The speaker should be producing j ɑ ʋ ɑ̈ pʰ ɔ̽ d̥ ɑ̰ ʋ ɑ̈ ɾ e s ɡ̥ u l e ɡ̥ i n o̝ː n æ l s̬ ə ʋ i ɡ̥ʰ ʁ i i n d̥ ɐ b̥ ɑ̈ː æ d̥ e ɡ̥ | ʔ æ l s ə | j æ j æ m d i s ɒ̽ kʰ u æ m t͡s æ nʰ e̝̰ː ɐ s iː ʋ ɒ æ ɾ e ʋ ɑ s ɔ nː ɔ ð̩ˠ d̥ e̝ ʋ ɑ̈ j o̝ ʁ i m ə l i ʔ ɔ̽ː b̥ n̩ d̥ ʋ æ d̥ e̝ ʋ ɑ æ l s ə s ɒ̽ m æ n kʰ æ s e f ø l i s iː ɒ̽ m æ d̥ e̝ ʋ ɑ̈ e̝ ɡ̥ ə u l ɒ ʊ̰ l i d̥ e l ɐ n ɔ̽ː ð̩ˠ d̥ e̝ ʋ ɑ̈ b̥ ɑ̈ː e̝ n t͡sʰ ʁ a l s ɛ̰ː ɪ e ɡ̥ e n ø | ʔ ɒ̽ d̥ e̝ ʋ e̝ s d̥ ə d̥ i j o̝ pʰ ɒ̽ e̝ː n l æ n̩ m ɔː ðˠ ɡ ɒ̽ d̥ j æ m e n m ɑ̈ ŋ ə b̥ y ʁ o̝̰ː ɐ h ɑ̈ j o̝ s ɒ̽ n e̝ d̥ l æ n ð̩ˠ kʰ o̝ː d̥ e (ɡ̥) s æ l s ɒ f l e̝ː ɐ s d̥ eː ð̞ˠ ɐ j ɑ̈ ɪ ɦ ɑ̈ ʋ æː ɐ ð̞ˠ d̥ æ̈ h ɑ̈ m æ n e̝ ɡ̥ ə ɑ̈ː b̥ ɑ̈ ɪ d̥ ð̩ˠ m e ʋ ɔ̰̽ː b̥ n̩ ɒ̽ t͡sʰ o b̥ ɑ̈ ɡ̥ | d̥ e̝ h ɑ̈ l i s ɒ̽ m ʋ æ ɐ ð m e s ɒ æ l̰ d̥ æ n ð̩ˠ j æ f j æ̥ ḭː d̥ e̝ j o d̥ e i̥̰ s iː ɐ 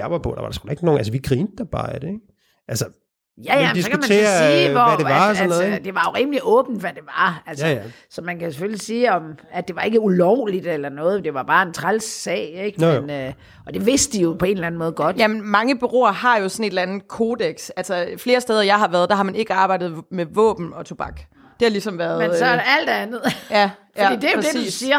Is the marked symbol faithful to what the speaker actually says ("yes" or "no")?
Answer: yes